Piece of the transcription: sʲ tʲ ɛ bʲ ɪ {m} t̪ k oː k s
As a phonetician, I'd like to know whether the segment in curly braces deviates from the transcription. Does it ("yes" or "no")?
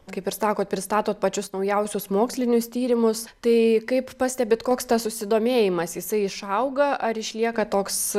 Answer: yes